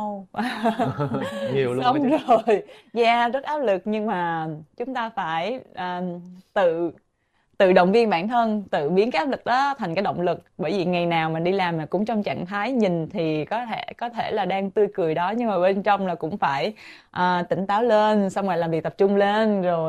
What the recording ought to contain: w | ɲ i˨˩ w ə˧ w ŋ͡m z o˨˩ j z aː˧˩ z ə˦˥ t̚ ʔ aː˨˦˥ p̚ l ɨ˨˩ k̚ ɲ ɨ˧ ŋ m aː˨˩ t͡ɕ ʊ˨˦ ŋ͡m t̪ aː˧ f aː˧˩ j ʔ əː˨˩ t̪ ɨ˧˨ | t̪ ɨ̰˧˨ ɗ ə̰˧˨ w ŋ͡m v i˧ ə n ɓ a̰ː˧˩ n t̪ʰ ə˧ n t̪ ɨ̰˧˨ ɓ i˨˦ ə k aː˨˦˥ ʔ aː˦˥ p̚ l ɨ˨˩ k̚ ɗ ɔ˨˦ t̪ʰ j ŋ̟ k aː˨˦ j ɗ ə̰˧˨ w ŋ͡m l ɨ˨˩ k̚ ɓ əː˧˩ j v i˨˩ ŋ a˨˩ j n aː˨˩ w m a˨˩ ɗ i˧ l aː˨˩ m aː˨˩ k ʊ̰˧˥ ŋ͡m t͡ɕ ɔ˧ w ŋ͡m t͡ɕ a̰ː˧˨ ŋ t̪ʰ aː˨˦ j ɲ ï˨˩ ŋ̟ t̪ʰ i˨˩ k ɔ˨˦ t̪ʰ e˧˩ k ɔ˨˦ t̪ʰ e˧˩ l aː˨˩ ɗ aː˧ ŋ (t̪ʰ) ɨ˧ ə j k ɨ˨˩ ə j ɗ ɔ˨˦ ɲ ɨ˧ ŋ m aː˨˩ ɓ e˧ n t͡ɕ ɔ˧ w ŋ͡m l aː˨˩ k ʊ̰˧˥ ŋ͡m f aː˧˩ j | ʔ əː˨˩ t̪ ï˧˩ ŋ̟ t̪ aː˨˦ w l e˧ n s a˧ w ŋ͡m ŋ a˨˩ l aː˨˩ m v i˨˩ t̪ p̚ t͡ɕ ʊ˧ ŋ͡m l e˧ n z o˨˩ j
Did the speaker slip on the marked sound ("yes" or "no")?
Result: yes